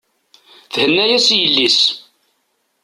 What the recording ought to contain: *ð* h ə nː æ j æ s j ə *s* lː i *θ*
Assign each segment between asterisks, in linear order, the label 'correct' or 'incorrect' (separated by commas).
incorrect, incorrect, incorrect